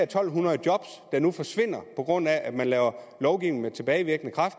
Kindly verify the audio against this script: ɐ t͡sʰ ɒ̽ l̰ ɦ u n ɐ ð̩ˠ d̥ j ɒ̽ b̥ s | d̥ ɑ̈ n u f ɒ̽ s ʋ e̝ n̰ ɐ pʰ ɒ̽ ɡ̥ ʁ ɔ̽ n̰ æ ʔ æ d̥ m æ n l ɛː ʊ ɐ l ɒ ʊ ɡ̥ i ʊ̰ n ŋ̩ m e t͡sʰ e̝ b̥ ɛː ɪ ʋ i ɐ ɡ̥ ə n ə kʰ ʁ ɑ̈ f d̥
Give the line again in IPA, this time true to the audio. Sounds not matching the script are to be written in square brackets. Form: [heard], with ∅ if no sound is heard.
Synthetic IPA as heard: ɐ t͡sʰ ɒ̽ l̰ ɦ u n ɐ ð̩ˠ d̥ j ɒ̽ b̥ s | d̥ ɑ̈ n u f ɒ̽ s ʋ e̝ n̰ ɐ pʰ ɒ̽ ɡ̥ ʁ ɔ̽ n̰ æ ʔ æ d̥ m æ n l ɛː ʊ ɐ l ɒ ʊ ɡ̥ i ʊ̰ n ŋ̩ m e t͡sʰ e̝ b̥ ɛː ɪ ʋ i ɐ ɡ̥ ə n ə kʰ ʁ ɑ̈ f d̥

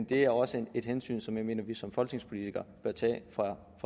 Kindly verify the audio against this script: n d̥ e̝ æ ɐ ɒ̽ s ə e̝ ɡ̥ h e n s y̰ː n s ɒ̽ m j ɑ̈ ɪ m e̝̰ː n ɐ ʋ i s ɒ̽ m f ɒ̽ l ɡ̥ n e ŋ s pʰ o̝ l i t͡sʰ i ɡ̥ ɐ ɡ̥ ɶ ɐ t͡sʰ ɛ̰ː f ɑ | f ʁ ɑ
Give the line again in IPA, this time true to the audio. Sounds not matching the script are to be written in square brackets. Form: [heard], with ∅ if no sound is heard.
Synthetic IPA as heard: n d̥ e̝ æ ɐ ɒ̽ s ə e̝ [d̥] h e n s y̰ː n s ɒ̽ m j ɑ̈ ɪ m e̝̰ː n ɐ ʋ i s ɒ̽ m f ɒ̽ l ɡ̥ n e ŋ s pʰ o̝ l i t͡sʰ i ɡ̥ ɐ [b̥] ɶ ɐ t͡sʰ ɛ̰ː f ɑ | f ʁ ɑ

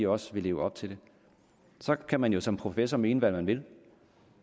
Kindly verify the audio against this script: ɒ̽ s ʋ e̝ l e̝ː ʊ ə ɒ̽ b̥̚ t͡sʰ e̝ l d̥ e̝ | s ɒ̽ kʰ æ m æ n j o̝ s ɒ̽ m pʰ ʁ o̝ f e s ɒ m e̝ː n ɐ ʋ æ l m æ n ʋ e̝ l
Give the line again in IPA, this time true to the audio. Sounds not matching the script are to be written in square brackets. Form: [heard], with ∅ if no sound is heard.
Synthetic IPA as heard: ɒ̽ s ʋ e̝ l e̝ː ʊ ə ɒ̽ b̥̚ t͡sʰ e̝ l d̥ e̝ | s ɒ̽ kʰ æ m æ n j o̝ s ɒ̽ m pʰ ʁ o̝ f e s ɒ m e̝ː n [ə] ʋ æ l m æ n ʋ e̝ l

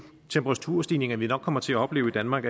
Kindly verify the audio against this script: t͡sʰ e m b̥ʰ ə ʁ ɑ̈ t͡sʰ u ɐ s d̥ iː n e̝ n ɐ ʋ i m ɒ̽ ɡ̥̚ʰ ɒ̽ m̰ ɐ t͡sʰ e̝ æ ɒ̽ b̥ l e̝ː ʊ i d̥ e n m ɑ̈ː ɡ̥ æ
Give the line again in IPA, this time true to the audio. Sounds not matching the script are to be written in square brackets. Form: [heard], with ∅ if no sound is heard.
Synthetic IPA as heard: t͡sʰ e m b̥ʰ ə ʁ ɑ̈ t͡sʰ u ɐ s d̥ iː n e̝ [ŋ] ɐ ʋ i [n] ɒ̽ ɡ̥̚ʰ ɒ̽ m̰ ɐ t͡sʰ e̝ æ ɒ̽ b̥ l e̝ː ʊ i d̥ [æ] n m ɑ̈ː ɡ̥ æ

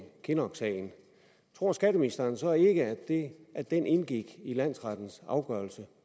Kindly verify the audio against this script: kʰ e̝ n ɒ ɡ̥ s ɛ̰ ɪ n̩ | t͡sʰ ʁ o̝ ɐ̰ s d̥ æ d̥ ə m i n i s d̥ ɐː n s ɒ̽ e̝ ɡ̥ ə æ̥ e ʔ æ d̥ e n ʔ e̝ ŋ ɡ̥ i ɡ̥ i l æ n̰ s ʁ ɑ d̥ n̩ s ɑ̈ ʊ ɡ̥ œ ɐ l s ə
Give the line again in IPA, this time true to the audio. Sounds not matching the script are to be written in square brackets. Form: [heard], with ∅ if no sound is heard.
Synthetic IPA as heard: kʰ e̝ n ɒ ɡ̥ s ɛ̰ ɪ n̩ | t͡sʰ ʁ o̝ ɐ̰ s [ɡ̥] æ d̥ ə m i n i s d̥ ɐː n s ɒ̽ e̝ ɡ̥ ə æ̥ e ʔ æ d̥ e n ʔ e̝ [n] ɡ̥ i ɡ̥ i l æ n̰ s ʁ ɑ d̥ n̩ s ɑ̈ ʊ ɡ̥ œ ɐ l s ə

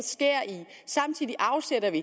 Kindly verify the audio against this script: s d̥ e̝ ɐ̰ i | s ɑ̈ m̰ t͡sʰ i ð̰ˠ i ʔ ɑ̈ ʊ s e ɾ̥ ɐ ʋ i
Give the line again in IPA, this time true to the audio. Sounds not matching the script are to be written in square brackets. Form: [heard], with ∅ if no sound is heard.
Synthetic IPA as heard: s [ɡ̥] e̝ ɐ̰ i | s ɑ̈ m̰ t͡sʰ i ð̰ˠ i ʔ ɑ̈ ʊ s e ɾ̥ ɐ ʋ i

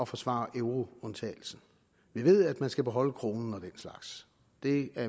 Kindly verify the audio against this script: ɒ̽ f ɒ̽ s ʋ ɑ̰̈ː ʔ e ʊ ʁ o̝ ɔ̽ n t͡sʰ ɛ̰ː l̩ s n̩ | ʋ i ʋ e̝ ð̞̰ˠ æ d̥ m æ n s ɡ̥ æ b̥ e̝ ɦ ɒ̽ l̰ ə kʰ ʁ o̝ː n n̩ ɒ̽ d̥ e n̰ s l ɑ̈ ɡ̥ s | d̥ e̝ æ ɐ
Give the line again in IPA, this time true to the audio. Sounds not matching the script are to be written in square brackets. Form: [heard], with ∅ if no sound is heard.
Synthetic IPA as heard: ɒ̽ f ɒ̽ s ʋ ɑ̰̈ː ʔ e ʊ ʁ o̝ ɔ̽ n t͡sʰ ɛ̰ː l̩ s n̩ | ʋ i ʋ e̝ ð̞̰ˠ æ d̥ m æ n s ɡ̥ æ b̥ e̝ ɦ ɒ̽ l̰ ə kʰ ʁ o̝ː n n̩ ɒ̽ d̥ e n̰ s l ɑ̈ ɡ̥ s | d̥ e̝ æ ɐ

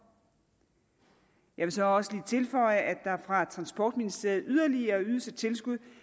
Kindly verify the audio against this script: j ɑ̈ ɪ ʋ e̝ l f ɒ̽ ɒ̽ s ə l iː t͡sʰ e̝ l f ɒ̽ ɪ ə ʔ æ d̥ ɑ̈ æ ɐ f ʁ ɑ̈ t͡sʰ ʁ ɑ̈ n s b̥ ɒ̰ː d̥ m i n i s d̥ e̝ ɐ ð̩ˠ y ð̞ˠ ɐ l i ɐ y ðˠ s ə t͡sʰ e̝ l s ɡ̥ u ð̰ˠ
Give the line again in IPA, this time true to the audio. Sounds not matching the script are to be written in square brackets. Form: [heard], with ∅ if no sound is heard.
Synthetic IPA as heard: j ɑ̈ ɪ ʋ e̝ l [s] ɒ̽ ɒ̽ s ə l iː t͡sʰ e̝ l f ɒ̽ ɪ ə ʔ æ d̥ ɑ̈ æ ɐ f ʁ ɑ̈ t͡sʰ ʁ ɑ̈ n s b̥ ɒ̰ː d̥ m i n i s d̥ e̝ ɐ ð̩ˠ y ð̞ˠ ɐ l i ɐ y ðˠ s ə t͡sʰ e̝ l s ɡ̥ u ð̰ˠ

